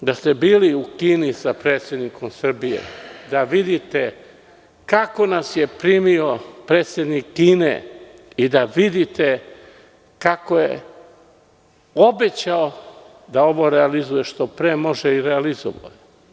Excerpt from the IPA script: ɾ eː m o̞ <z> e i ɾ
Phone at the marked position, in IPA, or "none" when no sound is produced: ʒ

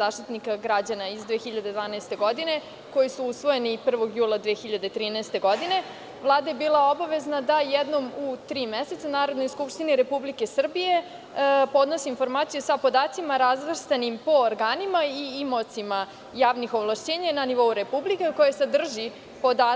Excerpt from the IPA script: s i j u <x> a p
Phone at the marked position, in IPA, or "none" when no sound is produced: s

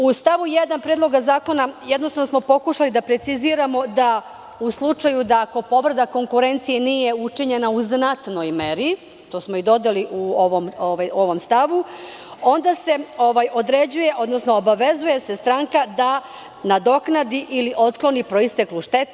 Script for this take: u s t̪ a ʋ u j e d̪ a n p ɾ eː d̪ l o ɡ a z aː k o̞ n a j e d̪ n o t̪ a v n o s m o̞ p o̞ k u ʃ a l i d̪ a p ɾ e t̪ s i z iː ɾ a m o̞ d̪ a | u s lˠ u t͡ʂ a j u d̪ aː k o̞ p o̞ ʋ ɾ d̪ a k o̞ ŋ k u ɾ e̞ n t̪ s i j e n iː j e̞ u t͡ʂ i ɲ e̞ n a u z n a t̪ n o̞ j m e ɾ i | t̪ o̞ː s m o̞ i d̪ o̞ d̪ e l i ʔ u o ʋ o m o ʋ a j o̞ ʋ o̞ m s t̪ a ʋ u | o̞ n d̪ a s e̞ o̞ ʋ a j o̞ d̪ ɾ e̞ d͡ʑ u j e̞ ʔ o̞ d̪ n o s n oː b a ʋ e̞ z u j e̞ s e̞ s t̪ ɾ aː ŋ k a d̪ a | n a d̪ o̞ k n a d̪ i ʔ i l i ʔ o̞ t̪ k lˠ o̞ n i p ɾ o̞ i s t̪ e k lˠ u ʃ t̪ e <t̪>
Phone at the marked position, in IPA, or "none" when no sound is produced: t̪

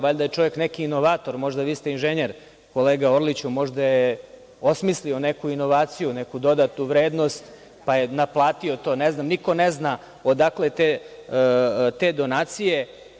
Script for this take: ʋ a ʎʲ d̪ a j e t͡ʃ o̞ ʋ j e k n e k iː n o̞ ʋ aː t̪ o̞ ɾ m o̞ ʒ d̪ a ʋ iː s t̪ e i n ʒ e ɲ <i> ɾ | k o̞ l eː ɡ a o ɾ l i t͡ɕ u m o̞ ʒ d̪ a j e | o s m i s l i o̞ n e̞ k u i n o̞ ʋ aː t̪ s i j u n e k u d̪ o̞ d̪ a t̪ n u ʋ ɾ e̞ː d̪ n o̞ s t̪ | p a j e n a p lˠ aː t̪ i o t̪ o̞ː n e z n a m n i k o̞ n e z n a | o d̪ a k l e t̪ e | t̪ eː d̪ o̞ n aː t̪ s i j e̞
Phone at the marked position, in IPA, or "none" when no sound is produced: e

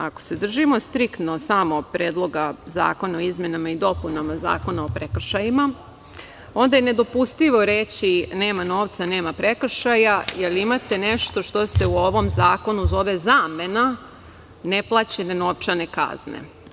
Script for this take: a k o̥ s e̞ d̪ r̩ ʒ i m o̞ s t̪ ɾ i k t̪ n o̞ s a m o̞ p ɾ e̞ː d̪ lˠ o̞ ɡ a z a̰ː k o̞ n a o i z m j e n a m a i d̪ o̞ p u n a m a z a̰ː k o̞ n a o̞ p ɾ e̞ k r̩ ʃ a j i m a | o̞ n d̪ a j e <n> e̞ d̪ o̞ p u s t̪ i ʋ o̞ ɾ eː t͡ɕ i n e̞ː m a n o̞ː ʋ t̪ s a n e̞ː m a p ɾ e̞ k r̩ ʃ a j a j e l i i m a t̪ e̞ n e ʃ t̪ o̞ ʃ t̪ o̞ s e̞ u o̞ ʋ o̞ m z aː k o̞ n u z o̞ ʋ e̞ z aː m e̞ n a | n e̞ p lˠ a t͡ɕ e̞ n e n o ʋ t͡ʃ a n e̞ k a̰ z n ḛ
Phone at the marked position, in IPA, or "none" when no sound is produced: n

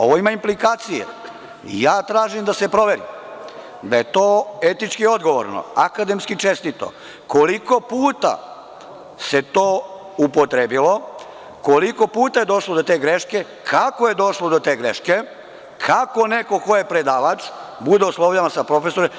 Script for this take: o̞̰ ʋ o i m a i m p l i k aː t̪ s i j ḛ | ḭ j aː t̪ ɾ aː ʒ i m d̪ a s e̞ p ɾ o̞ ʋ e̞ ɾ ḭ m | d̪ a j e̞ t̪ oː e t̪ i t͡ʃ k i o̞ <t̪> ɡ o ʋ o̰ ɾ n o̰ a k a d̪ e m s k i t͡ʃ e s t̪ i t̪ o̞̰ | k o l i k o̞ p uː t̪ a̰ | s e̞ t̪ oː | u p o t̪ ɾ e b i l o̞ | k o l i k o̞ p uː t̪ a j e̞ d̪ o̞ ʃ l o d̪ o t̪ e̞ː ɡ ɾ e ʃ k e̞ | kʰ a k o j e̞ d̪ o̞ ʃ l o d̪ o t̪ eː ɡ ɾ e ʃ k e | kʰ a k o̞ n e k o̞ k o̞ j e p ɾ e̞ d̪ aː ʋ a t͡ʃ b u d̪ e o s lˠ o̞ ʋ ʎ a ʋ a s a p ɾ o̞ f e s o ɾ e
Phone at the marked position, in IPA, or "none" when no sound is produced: d̪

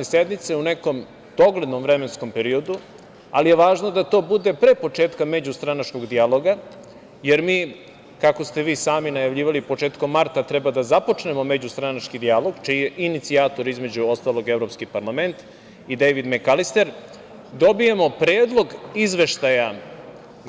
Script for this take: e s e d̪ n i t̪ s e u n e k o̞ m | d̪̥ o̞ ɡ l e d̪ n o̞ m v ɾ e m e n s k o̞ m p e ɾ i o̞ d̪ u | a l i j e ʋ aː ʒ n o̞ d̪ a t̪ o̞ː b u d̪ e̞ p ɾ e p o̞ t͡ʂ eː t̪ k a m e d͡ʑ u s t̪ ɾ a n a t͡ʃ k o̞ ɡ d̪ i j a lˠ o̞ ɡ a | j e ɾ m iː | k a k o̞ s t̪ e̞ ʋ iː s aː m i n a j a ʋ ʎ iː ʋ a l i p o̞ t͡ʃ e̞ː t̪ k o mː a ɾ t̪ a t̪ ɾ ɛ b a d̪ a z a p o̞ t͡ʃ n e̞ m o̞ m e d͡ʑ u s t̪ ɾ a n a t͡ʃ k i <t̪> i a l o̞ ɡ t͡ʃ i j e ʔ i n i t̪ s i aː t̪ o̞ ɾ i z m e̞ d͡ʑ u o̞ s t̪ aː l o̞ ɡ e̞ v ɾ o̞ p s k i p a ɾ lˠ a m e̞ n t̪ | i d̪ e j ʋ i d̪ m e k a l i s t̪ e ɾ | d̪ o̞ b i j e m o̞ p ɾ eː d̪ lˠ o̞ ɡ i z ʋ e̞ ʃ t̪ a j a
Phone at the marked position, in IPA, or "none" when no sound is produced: d̪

